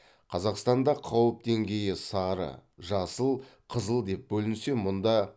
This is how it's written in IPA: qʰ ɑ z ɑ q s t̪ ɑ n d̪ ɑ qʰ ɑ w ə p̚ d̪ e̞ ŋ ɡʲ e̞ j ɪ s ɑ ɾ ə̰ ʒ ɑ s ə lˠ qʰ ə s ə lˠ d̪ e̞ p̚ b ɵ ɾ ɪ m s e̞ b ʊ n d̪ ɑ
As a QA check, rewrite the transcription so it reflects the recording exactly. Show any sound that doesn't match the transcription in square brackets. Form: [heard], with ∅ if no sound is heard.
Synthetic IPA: qʰ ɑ z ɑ q s t̪ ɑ n d̪ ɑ qʰ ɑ w ə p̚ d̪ e̞ ŋ ɡʲ e̞ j ɪ s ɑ ɾ ə̰ ʒ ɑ s ə lˠ qʰ ə [z] ə lˠ d̪ e̞ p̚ b ɵ [l] ɪ [n] s e̞ [m] ʊ n d̪ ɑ